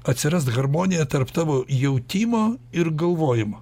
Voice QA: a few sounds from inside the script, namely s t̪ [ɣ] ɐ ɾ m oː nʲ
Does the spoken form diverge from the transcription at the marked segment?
no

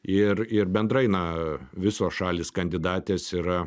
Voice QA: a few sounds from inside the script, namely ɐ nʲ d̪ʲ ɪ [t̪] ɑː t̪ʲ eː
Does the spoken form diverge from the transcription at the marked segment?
yes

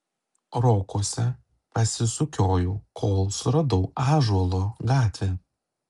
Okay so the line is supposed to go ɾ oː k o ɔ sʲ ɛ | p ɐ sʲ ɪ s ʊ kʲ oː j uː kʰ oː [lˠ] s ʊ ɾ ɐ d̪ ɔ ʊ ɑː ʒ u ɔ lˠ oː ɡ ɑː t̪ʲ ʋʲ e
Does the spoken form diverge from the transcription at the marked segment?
no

